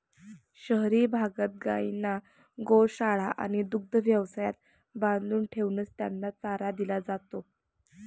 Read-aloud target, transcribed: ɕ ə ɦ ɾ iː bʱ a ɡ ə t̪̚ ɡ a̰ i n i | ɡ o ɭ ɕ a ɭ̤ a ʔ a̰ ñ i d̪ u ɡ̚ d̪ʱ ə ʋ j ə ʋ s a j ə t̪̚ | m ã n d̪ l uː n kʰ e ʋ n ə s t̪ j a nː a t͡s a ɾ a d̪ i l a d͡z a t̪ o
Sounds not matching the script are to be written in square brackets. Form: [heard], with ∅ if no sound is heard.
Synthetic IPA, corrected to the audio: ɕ ə ɦ ɾ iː bʱ a ɡ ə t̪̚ ɡ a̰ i n [a] | ɡ o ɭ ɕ a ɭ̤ a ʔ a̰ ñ i d̪ u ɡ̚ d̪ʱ ə ʋ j ə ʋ s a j [a] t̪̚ | [b] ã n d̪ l uː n [ʈʰ] e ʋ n ə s t̪ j a nː a t͡s a ɾ a d̪ i l a d͡z a t̪ o